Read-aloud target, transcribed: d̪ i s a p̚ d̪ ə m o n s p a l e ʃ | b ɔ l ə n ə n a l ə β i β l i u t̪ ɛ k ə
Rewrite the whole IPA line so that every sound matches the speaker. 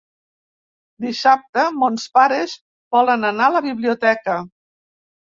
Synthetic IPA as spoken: d̪ i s a p̚ t̪ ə m o n s p a ɾ e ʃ | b ɔ l ə n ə n a l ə β i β l i u t̪ ɛ k ə